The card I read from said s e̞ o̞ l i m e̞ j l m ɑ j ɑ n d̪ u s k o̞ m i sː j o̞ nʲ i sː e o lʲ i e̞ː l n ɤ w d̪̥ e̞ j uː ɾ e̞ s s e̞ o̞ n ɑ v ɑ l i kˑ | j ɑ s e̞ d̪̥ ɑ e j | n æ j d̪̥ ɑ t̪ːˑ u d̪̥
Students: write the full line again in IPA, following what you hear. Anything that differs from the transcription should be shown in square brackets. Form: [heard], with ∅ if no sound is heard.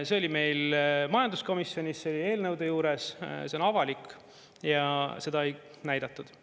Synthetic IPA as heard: s e̞ o̞ l i m e̞ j l m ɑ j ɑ n d̪ u s k o̞ m i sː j o̞ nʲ i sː e o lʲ i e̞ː l n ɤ w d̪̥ e̞ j uː ɾ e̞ s s e̞ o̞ n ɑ v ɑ l i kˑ | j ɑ s e̞ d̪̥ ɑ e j | n æ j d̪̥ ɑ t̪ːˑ u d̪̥